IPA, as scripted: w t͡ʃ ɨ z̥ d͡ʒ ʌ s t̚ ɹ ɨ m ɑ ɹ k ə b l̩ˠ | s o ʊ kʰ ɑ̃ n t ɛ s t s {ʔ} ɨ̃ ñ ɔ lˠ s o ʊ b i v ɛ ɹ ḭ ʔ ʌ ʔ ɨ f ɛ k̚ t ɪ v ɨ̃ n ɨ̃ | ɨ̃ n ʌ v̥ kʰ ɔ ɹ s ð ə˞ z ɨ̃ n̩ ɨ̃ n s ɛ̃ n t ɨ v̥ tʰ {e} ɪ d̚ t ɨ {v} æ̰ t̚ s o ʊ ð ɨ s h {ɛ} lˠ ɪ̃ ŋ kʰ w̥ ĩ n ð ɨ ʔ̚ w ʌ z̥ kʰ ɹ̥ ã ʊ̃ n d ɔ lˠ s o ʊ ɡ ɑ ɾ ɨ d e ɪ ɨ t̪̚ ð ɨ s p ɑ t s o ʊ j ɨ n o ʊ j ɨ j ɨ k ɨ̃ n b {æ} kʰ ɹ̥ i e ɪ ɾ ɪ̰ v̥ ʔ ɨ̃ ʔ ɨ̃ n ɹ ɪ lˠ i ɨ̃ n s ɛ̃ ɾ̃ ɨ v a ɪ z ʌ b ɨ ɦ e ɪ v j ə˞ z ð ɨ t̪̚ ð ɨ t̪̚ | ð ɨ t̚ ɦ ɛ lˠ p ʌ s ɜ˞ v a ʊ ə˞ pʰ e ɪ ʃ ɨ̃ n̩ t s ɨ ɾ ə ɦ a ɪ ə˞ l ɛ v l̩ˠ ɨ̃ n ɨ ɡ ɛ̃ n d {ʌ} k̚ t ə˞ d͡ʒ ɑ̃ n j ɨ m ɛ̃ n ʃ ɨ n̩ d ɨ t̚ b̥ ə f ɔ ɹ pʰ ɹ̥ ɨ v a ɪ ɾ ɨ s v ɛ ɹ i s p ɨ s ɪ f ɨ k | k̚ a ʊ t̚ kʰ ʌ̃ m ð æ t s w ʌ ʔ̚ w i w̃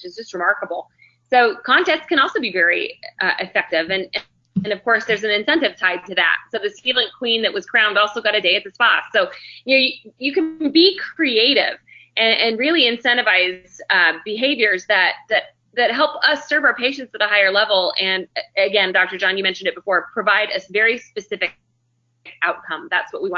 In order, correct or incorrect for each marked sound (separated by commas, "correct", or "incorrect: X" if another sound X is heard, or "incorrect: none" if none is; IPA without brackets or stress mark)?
incorrect: k, incorrect: a, incorrect: ð, incorrect: i, incorrect: i, incorrect: ɑ